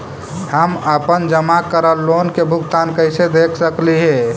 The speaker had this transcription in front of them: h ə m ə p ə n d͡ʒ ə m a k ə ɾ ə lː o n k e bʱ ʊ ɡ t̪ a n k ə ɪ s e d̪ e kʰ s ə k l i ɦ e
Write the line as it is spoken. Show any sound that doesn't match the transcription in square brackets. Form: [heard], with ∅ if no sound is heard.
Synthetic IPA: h ə m ə p ə n d͡ʒ ə m a k ə ɾ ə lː o n k e bʱ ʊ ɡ t̪ a n k ə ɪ s e d̪ e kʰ s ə k l i ɦ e